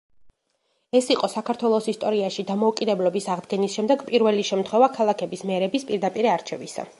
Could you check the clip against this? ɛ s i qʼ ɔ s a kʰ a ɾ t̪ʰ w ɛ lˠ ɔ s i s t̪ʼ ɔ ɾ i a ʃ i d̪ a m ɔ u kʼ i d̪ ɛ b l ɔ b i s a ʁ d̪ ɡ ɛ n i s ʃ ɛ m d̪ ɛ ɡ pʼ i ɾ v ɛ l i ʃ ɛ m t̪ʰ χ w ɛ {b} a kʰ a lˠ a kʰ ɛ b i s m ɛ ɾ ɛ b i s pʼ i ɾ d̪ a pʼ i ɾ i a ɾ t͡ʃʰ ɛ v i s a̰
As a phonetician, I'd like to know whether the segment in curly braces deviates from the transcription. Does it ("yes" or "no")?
yes